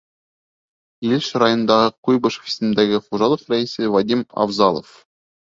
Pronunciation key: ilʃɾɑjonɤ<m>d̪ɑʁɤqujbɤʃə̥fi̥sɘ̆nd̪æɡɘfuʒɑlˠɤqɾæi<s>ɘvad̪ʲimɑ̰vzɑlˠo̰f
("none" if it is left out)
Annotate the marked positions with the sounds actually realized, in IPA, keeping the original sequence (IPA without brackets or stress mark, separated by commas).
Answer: n, s